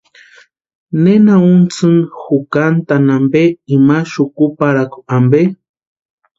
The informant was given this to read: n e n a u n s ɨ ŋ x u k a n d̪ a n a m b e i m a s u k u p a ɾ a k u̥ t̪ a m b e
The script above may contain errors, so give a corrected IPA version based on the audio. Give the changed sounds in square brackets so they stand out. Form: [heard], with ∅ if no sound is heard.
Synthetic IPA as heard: n e n a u n [t͡s] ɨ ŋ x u k a n [t̪] a n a m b e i m a [ʃ] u k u p a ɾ a k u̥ [∅] a m b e